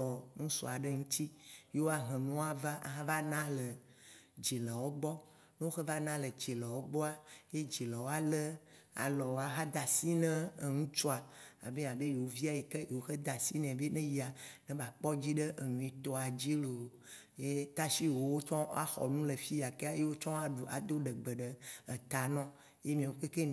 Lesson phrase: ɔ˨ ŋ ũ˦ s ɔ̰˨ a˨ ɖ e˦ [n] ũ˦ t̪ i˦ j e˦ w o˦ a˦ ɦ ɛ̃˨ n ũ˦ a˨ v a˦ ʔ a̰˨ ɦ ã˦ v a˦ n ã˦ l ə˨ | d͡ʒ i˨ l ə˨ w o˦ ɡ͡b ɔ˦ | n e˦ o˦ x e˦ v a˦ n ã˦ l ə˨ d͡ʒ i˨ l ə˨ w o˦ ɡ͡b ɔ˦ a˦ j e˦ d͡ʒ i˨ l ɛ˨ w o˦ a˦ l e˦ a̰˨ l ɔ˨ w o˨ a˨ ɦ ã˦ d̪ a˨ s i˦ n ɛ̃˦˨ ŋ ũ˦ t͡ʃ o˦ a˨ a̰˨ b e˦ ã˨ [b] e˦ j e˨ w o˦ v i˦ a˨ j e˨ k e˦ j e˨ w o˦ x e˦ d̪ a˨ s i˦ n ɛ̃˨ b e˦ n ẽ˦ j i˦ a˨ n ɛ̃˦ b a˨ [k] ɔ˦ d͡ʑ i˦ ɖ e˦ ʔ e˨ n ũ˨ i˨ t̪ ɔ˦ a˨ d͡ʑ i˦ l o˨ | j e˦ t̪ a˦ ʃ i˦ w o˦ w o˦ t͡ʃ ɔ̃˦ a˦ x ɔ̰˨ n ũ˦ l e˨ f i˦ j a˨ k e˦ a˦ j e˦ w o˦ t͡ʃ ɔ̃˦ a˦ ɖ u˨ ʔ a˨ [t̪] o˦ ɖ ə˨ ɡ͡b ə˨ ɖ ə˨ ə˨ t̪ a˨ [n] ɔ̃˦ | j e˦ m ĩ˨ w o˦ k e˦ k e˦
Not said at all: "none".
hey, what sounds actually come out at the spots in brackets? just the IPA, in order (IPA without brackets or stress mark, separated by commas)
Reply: ŋ, b, k͡p, d̪, n